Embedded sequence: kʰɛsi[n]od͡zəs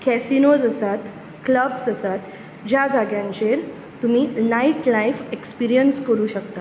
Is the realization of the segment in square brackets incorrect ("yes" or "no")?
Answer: no